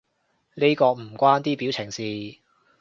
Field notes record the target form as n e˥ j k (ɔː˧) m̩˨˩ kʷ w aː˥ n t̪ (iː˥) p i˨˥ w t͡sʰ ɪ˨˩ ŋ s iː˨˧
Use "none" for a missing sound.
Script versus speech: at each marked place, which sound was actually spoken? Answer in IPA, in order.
ɔː˧, iː˥

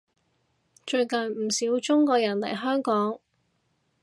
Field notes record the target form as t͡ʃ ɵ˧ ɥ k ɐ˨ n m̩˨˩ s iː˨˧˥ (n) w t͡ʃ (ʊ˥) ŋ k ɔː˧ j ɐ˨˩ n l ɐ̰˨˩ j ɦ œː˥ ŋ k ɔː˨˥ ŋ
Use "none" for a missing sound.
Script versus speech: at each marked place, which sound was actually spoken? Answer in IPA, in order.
none, ʊ˥

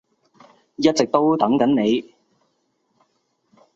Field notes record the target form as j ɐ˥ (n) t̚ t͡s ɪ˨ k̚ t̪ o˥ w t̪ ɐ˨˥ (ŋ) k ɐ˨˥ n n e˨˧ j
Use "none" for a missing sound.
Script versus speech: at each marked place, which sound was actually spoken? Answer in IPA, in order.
none, ŋ

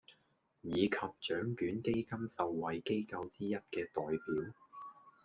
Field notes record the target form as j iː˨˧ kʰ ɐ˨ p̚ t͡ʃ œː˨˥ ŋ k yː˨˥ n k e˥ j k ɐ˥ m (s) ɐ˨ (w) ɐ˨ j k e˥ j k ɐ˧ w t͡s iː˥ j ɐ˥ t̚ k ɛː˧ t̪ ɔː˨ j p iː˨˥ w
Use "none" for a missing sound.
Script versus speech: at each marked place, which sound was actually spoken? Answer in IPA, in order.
s, wː

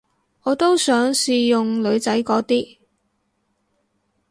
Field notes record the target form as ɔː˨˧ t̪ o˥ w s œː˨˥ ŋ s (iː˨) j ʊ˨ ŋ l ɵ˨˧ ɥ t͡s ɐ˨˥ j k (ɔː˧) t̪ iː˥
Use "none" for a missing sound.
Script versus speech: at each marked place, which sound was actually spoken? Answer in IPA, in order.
iː˨, ɔː˨˥

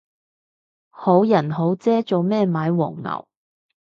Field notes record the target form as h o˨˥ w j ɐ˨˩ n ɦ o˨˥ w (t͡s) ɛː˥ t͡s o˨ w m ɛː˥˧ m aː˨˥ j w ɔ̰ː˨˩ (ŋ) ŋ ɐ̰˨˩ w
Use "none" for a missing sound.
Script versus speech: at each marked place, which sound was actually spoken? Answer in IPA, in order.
t͡s, ŋ

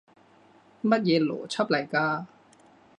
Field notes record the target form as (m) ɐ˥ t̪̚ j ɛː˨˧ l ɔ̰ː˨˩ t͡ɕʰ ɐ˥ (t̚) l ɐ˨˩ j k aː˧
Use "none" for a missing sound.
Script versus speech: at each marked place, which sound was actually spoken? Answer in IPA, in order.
m, p̚

